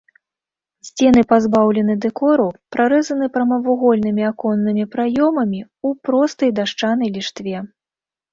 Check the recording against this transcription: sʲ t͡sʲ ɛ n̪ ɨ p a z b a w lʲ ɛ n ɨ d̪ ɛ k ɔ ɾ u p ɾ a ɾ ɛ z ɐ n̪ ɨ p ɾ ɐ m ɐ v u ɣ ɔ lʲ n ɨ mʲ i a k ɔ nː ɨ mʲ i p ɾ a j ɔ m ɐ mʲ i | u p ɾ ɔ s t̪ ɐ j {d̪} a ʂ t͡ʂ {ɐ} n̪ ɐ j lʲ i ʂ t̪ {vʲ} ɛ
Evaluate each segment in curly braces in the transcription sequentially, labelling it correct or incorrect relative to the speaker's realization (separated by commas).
correct, incorrect, correct